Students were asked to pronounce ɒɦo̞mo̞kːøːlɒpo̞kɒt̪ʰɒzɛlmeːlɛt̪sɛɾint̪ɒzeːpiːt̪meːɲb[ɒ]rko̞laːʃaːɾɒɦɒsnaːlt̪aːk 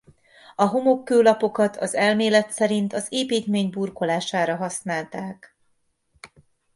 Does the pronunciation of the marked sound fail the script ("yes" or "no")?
yes